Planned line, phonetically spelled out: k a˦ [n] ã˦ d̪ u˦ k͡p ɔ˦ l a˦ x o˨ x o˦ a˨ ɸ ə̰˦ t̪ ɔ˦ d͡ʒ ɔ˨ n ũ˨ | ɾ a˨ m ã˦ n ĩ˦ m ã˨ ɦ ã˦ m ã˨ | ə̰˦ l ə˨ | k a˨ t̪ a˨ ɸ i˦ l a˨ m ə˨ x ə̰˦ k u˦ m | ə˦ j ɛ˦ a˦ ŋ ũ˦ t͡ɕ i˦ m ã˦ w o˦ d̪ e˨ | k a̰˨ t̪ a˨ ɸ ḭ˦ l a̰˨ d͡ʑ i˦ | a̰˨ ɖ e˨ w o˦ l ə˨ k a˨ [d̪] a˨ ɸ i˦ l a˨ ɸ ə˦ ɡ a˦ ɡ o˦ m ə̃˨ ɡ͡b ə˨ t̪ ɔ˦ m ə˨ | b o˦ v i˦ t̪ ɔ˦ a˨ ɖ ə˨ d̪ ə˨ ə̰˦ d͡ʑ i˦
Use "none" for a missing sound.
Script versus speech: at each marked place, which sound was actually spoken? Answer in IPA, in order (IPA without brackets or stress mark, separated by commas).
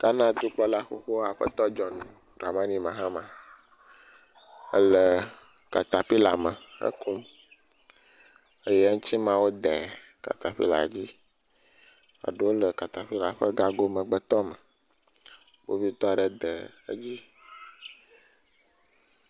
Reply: n, t̪